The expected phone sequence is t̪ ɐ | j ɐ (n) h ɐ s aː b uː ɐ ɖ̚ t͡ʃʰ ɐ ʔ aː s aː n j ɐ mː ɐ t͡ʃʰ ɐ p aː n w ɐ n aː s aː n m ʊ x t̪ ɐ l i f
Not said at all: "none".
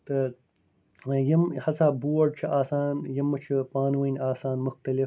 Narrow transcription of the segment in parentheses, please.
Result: m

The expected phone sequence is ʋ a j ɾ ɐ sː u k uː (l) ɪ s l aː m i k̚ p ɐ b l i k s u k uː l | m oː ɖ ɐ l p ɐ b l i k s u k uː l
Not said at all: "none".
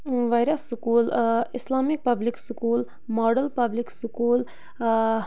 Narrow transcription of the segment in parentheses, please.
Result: l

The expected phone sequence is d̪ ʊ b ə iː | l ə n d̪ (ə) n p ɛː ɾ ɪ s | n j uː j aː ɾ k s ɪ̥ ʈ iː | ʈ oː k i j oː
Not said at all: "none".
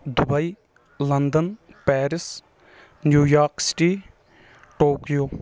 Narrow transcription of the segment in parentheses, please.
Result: ə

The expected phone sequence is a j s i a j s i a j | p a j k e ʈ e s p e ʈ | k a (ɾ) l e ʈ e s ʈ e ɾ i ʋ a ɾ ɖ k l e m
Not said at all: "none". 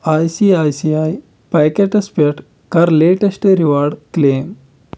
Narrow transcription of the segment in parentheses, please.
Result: ɾ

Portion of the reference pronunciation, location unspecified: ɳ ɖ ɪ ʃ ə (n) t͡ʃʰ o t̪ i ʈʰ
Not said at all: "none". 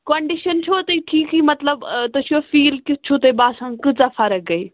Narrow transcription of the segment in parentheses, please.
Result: n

